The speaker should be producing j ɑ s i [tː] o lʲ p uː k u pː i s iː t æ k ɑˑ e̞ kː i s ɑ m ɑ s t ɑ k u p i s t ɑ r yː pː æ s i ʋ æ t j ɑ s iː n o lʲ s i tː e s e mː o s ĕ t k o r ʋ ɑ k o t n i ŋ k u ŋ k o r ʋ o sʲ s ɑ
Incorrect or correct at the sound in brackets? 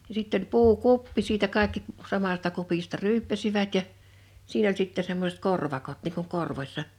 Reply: correct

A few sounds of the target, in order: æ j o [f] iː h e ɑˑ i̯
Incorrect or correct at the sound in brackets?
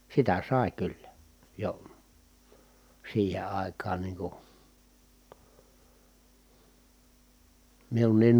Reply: incorrect: s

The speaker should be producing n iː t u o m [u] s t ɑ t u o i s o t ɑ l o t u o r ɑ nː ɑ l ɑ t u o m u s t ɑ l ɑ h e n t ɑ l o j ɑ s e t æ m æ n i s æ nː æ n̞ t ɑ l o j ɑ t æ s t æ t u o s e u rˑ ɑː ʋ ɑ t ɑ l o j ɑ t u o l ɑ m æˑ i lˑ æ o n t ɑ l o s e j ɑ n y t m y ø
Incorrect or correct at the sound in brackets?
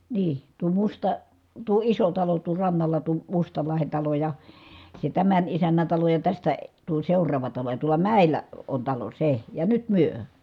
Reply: correct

